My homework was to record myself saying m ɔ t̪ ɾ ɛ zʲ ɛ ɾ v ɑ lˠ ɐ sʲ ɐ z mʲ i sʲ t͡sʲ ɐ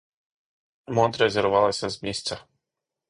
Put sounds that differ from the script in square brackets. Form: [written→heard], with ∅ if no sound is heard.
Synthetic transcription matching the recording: m ɔ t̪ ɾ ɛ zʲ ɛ ɾ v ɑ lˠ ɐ sʲ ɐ z mʲ i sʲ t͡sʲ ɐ